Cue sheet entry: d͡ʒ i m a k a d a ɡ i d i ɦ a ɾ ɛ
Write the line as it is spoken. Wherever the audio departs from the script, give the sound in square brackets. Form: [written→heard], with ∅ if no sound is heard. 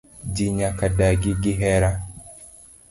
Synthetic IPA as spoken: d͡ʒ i [m→ɲ] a k a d a ɡ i [d→ɡ] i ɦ [a→ɛ] ɾ [ɛ→a]